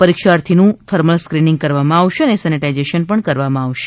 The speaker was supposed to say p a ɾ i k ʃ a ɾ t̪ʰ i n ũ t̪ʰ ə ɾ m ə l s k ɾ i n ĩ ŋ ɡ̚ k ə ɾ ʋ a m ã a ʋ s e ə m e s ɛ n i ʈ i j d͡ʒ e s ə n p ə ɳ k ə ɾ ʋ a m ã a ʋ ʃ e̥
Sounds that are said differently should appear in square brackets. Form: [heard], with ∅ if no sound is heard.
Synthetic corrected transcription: p [ə] ɾ i k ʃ a ɾ t̪ʰ i n ũ t̪ʰ ə ɾ m ə l s k ɾ i n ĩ ŋ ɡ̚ k ə ɾ ʋ a m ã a ʋ [ʃ] e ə [n] e s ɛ n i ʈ [a] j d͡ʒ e [ʃ] ə n p ə ɳ k ə ɾ ʋ a m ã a ʋ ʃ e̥

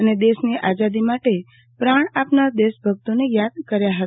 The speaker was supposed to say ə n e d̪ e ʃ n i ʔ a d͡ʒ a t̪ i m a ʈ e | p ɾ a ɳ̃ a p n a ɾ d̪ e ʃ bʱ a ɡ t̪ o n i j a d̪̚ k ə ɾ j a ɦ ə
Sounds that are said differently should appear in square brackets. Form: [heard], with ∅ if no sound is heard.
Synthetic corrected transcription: ə n e d̪ e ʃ n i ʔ a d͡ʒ a [d̪] i m a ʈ e | p ɾ a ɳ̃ a p n a ɾ d̪ e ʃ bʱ [ə] ɡ t̪ o n [e] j a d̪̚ k ə ɾ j a ɦ ə

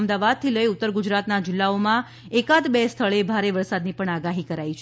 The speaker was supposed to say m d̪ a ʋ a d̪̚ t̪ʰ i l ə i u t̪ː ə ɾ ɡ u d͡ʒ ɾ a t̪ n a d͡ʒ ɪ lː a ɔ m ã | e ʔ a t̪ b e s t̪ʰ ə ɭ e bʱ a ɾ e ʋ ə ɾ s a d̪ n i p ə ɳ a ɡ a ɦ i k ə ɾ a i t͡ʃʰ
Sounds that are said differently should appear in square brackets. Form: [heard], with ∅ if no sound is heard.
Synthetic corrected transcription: m d̪ a ʋ a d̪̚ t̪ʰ i l ə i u t̪ː ə ɾ ɡ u d͡ʒ ɾ a t̪ n a d͡ʒ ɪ lː a [o] m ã | e [k] a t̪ b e s t̪ʰ ə ɭ e bʱ a ɾ e ʋ ə ɾ s a d̪ n i p ə ɳ a ɡ a ɦ i k ə ɾ a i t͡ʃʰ

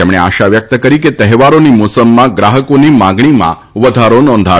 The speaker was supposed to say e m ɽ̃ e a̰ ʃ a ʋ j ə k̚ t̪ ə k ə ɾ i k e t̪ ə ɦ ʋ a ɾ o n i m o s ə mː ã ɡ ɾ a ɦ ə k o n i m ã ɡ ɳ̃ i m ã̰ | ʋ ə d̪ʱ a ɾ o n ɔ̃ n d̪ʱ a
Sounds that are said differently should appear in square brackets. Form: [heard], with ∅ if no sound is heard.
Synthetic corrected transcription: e m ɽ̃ e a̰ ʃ a ʋ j ə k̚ t̪ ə k ə ɾ i k e t̪ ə ɦ ʋ a ɾ o n i m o s ə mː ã ɡ ɾ a ɦ ə k o n i m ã ɡ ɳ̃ i m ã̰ | ʋ ə d̪ʱ a ɾ o n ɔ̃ n d̪ʱ a

